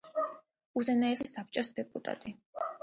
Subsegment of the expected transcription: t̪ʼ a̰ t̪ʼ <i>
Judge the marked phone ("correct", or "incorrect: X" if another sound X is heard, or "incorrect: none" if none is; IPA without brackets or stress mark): correct